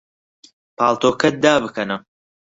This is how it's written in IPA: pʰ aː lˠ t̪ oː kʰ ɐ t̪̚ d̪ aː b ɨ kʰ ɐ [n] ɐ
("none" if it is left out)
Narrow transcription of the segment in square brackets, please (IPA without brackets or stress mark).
n